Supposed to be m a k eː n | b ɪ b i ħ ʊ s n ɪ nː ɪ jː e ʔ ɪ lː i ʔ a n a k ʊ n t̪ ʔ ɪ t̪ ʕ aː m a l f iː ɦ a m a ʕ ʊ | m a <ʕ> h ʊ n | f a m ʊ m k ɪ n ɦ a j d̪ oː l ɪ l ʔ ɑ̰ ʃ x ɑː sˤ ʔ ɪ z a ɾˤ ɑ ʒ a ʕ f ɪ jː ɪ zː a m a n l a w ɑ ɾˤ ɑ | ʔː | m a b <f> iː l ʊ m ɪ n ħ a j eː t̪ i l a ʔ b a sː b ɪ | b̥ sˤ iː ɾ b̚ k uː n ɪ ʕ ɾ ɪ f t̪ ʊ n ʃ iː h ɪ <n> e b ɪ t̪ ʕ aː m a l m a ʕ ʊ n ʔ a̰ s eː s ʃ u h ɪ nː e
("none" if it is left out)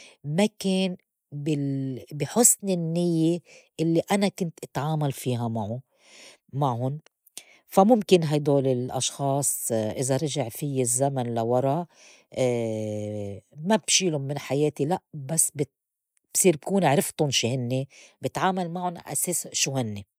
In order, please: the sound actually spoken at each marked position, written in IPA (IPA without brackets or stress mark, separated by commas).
ʕ, ʃ, nː